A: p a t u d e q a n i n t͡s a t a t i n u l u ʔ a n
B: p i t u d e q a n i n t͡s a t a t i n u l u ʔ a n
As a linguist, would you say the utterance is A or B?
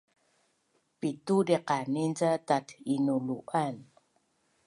B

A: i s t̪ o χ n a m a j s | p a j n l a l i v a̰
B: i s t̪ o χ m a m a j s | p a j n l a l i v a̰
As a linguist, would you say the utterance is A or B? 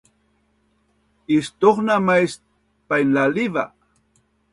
A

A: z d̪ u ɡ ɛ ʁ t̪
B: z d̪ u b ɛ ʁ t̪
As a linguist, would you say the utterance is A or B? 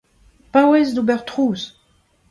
B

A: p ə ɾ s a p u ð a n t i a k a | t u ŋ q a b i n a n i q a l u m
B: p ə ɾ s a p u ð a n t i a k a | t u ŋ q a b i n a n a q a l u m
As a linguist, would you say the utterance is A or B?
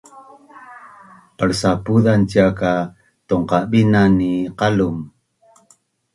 A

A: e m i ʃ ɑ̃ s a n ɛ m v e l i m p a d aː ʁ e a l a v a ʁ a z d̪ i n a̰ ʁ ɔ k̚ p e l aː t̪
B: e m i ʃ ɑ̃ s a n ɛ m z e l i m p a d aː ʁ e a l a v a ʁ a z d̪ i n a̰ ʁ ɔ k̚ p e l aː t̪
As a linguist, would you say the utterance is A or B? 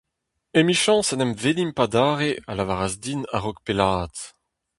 A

